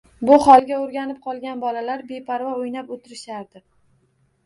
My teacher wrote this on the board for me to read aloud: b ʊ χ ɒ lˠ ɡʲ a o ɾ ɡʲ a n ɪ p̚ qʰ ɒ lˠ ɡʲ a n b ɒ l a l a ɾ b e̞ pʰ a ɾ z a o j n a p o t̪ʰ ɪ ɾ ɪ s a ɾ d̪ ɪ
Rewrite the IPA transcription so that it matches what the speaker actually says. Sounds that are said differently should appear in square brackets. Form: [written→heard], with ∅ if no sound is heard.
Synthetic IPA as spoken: b ʊ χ ɒ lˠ ɡʲ a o ɾ ɡʲ a n ɪ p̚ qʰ ɒ lˠ ɡʲ a n b ɒ l a l a ɾ b e̞ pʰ a ɾ [z→v] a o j n a p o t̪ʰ ɪ ɾ ɪ [s→ʃ] a ɾ d̪ ɪ

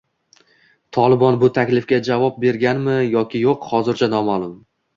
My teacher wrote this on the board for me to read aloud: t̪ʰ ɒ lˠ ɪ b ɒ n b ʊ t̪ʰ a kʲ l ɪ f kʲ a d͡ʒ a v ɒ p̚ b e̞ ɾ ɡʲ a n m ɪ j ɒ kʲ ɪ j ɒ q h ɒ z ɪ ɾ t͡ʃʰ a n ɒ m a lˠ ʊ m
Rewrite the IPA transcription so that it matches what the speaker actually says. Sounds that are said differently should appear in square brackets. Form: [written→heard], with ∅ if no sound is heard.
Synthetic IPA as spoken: t̪ʰ ɒ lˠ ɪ b ɒ n b ʊ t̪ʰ a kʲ l ɪ f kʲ a d͡ʒ a v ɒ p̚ b e̞ ɾ ɡʲ a n m ɪ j ɒ kʲ ɪ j [ɒ→o] q h ɒ z ɪ ɾ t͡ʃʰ a n ɒ m a lˠ ʊ m

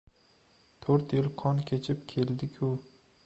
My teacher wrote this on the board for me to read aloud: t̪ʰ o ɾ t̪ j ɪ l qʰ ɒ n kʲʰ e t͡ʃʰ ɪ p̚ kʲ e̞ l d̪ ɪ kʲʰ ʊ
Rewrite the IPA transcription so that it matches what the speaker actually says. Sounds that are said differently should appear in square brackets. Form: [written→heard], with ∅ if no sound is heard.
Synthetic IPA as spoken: t̪ʰ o ɾ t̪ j ɪ l qʰ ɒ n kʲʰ e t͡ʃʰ ɪ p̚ [kʲ→kʲʰ] e̞ l d̪ ɪ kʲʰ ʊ

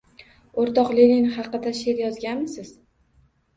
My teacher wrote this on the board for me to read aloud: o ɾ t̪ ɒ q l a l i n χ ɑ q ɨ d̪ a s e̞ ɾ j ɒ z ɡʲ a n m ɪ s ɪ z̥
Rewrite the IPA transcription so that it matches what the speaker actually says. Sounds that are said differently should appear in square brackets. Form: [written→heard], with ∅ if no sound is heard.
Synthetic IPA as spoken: o ɾ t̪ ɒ q l [a→e] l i n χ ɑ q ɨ d̪ a [s→ʃ] e̞ ɾ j ɒ z ɡʲ a n m ɪ s ɪ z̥

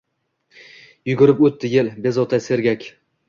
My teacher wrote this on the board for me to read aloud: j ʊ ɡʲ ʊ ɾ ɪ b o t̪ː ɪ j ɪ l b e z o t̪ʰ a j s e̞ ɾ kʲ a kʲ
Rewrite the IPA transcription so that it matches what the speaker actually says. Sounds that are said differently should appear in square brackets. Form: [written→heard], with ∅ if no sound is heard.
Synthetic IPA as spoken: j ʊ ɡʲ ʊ ɾ ɪ [b→p] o t̪ː ɪ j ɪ l b e z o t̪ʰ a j s e̞ ɾ [kʲ→ɡʲ] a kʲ

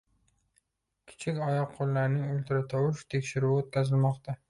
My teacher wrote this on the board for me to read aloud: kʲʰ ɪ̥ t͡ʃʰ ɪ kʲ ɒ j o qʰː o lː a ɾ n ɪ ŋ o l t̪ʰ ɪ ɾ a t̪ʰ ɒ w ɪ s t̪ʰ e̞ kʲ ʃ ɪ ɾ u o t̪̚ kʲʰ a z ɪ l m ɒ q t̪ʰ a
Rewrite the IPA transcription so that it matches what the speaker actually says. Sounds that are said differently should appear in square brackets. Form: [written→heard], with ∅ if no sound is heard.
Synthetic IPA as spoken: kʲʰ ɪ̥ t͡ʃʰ ɪ kʲ ɒ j [o→ɒ] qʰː o lː a ɾ n ɪ ŋ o l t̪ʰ ɪ ɾ a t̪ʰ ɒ w ɪ [s→ʃ] t̪ʰ e̞ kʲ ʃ ɪ ɾ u o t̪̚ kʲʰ a z ɪ l m ɒ q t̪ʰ a

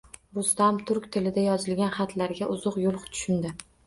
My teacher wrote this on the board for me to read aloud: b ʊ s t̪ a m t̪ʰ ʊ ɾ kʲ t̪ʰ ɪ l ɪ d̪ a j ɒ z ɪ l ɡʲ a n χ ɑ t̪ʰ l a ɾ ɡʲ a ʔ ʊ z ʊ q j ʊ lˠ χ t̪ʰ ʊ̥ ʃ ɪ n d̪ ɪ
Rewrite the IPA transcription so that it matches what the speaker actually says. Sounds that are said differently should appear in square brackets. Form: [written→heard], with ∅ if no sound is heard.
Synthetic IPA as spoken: b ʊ s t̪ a m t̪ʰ ʊ ɾ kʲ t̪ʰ ɪ l ɪ d̪ a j ɒ z ɪ l ɡʲ a n χ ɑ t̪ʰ l a ɾ ɡʲ a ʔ ʊ z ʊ q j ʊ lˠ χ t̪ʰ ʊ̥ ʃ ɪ n d̪ ɪ

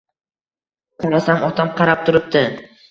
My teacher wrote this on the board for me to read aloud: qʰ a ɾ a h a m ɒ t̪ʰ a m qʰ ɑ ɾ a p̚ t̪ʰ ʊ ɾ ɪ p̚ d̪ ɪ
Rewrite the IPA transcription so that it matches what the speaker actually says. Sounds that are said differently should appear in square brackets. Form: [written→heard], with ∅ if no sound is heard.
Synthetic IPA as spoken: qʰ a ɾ a [h→s] a m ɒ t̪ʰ a m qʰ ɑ ɾ a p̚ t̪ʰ ʊ ɾ ɪ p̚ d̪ ɪ

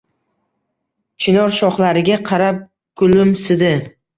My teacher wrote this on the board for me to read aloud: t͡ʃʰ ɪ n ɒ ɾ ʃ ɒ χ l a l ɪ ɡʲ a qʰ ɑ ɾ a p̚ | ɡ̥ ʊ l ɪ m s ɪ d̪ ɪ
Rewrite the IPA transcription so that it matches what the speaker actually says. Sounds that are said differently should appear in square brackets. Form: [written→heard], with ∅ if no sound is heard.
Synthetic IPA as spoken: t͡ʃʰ ɪ n ɒ ɾ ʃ ɒ χ l a [l→ɾ] ɪ ɡʲ a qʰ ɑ ɾ a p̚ | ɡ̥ ʊ l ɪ m s ɪ d̪ ɪ

